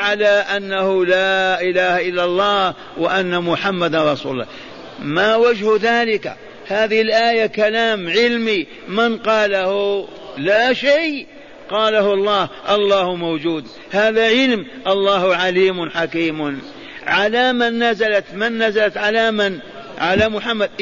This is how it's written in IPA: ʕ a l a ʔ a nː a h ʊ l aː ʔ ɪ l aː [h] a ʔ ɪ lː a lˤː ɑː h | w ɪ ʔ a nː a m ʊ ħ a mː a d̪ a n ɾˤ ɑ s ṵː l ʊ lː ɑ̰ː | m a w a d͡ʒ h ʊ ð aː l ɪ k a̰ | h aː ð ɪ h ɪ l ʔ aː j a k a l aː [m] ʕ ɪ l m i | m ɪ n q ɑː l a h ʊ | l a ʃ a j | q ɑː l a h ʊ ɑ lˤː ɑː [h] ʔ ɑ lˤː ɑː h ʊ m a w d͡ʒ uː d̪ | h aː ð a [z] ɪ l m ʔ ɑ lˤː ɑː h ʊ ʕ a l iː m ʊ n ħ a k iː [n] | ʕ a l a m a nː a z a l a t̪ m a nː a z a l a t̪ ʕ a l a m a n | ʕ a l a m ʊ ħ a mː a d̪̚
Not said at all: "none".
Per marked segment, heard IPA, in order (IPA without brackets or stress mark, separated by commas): h, m, h, ʕ, m